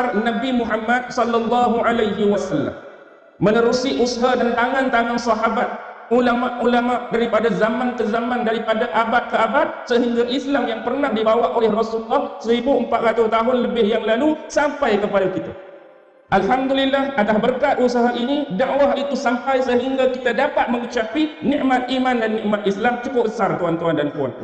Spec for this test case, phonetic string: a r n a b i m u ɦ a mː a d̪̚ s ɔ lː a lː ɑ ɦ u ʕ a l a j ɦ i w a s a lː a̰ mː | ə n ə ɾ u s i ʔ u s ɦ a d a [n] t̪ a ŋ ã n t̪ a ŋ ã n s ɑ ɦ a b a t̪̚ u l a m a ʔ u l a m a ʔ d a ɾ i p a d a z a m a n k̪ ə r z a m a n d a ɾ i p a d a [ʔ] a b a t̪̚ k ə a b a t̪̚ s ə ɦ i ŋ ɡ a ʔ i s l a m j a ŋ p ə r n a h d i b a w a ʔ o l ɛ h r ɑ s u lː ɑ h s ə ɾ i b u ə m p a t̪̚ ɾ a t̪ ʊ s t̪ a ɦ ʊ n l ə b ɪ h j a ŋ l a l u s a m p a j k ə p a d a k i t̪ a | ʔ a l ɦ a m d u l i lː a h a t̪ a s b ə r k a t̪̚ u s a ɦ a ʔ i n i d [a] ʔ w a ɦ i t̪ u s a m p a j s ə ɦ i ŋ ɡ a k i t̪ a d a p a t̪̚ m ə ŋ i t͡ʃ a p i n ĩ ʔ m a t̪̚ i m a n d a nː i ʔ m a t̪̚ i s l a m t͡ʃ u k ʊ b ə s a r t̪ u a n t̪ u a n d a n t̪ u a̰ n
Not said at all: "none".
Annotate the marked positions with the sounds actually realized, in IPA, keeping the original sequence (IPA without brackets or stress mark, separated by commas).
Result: n, ʔ, a